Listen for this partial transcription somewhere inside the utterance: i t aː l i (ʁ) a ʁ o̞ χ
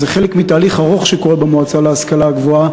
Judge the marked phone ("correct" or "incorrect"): incorrect